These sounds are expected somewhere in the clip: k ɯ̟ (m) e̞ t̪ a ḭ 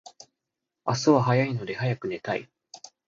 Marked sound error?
yes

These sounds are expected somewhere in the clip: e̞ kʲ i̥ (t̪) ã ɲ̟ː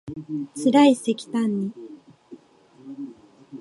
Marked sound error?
no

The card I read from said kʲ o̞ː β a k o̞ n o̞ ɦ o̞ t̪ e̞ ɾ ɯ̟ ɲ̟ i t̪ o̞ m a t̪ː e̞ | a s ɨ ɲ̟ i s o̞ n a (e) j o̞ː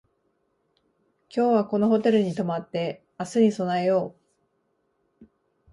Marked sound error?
no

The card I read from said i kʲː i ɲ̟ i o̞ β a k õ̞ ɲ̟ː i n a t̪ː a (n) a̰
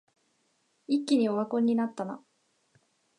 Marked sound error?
no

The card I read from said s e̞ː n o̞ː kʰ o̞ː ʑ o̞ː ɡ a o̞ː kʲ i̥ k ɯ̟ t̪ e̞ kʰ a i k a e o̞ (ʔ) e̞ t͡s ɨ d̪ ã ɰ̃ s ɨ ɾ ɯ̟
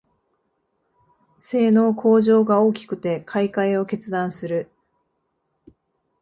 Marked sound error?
yes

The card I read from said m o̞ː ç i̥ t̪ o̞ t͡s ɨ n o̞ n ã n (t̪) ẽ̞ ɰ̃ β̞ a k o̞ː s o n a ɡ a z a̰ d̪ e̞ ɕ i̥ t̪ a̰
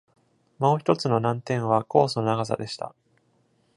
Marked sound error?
no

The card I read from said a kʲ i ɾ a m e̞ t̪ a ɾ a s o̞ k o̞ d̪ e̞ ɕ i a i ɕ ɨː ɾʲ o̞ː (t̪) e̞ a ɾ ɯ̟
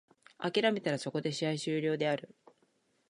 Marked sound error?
yes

